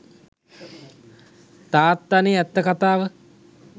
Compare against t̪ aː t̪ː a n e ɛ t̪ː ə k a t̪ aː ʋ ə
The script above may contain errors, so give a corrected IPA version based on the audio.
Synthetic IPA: t̪ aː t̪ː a n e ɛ t̪ː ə k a t̪ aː ʋ ə